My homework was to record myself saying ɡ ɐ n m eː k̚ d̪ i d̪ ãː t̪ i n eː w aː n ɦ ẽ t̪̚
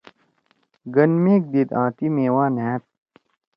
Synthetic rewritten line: ɡ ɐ n m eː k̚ d̪ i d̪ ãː t̪ i m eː w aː n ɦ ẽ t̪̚